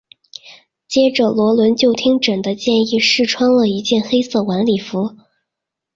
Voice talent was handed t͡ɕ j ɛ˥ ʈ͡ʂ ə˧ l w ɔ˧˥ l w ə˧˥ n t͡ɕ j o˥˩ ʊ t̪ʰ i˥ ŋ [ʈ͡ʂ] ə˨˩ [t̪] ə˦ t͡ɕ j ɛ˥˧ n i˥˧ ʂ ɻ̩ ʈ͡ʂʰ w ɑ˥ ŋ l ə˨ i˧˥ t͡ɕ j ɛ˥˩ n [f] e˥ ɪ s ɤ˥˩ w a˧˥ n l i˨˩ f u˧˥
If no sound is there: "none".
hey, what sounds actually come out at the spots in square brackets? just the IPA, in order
ʈ͡ʂ, d̪, x

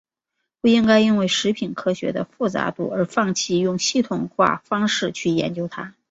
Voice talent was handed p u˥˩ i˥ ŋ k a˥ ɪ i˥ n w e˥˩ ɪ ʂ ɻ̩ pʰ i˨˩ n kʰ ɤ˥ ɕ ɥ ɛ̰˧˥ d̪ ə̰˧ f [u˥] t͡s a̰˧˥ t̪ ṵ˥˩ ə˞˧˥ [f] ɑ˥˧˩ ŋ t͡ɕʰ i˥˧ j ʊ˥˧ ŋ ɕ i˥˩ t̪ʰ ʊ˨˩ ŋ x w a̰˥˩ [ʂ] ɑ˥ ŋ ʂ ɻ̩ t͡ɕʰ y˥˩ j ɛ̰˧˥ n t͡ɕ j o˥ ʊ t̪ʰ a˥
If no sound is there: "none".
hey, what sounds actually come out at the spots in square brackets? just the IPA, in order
u˥˩, f, f

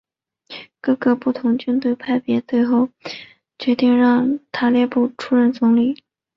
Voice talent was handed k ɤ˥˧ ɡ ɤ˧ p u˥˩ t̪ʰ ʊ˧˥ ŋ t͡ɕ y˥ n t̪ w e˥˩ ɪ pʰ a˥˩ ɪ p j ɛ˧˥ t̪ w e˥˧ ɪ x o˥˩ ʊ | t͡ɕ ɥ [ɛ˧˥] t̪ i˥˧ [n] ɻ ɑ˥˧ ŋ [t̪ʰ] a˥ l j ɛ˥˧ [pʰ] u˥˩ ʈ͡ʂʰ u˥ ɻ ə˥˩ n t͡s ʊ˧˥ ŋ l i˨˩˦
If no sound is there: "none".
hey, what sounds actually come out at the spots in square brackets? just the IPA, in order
ɛ˧˥, ŋ, t̪ʰ, p

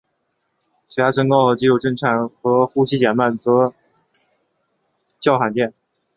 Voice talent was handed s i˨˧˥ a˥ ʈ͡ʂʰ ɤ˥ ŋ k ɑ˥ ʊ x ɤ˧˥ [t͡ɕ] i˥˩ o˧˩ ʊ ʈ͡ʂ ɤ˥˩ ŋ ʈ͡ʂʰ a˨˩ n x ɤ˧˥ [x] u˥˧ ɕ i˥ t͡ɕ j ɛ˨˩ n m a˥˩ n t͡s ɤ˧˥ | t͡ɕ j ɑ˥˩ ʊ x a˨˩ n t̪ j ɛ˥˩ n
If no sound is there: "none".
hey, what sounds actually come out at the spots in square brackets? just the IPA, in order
t͡ɕ, x

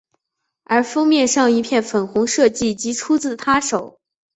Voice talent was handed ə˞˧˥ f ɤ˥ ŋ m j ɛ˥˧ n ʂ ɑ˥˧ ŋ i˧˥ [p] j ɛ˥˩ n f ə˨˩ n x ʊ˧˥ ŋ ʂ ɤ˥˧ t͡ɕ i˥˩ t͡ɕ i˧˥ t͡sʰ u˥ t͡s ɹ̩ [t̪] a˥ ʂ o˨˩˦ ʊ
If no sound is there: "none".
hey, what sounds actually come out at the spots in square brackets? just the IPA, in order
pʰ, t̪ʰ

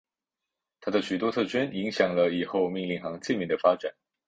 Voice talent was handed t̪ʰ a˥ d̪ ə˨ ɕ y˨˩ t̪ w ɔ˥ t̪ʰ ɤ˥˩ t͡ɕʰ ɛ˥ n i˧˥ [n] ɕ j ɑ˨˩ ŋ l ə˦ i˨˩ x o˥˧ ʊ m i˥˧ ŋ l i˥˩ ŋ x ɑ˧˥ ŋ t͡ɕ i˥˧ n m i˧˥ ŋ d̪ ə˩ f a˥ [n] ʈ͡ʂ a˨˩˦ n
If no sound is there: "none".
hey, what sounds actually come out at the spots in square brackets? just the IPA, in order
ŋ, none

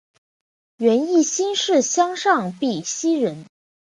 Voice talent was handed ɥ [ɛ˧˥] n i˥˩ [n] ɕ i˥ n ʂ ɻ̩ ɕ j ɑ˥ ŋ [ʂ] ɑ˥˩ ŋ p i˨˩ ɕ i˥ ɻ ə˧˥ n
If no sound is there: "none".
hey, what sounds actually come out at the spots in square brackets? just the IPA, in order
ɛ˧˥, none, ʂ

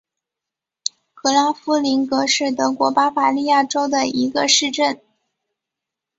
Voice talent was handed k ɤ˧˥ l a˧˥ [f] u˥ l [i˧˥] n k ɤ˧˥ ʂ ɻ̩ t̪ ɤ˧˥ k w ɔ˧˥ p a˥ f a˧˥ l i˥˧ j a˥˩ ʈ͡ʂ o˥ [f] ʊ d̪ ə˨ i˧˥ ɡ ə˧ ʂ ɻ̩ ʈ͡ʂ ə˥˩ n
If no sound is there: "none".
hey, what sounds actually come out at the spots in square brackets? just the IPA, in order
f, i˧˥, none

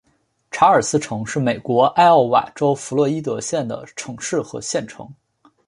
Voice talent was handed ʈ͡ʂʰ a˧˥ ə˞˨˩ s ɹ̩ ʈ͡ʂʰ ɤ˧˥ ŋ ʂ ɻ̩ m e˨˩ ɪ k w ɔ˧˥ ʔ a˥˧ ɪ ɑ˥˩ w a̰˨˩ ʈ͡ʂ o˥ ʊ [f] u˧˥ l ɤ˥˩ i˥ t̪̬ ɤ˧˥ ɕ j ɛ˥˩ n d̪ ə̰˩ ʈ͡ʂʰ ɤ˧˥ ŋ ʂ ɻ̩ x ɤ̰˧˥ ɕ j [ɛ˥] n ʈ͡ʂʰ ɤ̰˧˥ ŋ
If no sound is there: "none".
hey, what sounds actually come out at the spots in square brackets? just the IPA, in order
f, ɛ˥˩

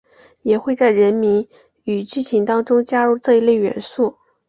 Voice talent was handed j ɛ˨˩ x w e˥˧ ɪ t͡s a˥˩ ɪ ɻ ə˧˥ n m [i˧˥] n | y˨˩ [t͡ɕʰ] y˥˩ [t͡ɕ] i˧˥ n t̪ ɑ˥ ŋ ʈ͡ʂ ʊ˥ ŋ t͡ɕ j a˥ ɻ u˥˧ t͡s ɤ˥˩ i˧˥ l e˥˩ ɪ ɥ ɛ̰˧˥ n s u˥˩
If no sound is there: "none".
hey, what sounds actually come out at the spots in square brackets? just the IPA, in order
i˧˥, t͡ɕ, t͡ɕʰ

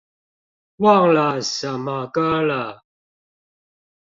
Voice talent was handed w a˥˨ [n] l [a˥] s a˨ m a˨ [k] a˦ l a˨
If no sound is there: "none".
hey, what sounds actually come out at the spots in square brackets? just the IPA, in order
ŋ, a˨, k

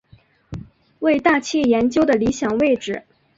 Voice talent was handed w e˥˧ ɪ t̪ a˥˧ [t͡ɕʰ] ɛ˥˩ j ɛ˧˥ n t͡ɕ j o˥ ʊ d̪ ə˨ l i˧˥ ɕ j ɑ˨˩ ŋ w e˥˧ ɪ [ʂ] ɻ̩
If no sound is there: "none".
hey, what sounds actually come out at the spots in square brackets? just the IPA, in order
t͡ɕʰ, ʈ͡ʂ

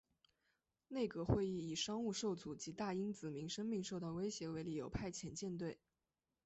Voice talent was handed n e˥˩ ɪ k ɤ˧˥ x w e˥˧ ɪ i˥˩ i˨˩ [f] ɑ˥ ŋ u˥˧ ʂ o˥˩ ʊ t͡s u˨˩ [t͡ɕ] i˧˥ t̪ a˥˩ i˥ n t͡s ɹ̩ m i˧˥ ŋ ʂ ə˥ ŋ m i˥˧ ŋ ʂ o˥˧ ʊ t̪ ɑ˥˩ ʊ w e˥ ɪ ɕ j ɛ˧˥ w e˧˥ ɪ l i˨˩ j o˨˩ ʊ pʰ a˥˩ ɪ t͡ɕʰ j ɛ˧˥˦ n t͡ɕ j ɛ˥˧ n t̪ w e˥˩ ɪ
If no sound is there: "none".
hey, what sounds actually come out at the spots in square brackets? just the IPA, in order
ʂ, t͡ɕ

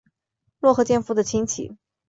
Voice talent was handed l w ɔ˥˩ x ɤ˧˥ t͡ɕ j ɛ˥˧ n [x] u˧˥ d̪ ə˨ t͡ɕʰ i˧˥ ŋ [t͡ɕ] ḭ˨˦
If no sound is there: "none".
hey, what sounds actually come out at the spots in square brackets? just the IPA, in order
f, t͡ɕʰ

